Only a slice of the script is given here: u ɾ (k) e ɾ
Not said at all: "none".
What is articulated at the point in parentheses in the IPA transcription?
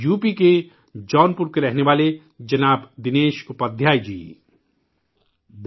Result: k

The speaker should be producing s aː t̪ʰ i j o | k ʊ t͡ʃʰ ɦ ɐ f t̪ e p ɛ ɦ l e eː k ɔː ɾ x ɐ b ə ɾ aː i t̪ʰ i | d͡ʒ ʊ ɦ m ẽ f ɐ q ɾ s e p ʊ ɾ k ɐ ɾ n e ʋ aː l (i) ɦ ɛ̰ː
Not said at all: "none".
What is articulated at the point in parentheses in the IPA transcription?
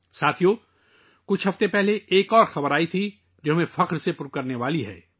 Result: i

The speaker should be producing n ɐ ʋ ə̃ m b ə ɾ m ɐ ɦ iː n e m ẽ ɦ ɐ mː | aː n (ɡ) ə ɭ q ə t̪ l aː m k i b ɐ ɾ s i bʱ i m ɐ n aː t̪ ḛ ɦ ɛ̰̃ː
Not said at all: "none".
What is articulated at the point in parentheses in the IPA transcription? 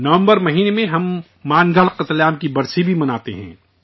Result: ɡ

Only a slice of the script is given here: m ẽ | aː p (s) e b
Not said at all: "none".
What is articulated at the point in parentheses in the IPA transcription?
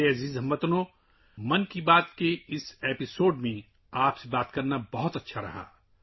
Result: s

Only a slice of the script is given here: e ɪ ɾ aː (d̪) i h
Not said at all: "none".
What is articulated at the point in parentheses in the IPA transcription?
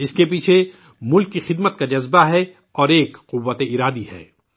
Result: d̪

